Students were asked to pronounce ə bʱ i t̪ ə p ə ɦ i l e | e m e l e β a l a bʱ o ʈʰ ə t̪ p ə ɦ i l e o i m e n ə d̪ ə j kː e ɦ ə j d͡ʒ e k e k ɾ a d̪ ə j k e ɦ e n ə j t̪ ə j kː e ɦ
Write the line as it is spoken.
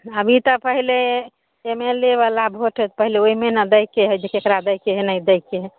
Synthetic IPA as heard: ə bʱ i t̪ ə p ə ɦ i l e | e m e l e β a l a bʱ o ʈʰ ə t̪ p ə ɦ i l e o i m e n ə d̪ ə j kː e ɦ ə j d͡ʒ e k e k ɾ a d̪ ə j k e ɦ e n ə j d̪ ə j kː e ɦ

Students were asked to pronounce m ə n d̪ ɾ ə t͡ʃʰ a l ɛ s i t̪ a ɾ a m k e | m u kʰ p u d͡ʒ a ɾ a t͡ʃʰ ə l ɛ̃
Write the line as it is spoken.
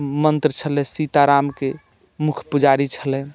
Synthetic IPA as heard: m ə n t̪ ɾ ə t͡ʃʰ ə l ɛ s i t̪ a ɾ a m k e | m u kʰ p u d͡ʒ a ɾ i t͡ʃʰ ə l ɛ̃

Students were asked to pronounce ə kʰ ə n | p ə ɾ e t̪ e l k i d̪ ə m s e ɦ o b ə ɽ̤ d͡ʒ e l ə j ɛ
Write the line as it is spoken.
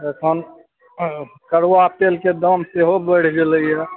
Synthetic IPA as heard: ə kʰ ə n | k ə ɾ a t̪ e l k e d̪ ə m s e ɦ o b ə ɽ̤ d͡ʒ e l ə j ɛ

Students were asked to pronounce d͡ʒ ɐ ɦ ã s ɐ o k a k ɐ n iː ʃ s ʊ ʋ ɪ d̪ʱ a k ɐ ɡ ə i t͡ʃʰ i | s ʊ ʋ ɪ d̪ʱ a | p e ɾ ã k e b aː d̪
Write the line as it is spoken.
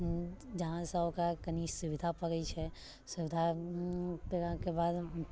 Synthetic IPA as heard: d͡ʒ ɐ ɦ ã s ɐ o k a k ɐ n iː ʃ s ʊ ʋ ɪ d̪ʱ a p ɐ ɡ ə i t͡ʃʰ ɛ | s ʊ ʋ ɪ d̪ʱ a | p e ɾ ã k e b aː d̪

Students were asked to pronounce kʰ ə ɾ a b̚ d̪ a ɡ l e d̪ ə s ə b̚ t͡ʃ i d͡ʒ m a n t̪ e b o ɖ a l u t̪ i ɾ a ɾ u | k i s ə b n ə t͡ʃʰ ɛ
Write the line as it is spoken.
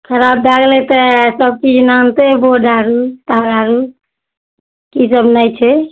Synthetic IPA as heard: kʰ ə ɾ a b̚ d̪ a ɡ l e t̪ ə s ə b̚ t͡ʃ i d͡ʒ n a n t̪ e b o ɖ a ɾ u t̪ a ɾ a ɾ u | k i s ə b n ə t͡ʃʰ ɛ

